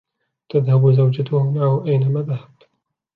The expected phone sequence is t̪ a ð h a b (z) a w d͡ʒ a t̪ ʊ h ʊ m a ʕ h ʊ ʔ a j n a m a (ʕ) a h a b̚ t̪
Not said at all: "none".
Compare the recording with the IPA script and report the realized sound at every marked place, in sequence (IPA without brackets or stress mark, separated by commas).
z, ð